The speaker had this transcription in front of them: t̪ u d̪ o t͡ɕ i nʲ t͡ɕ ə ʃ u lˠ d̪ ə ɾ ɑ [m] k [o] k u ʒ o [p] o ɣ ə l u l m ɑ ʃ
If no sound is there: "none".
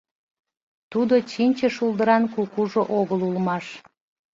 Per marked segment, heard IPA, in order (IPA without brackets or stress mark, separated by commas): n, u, ʔ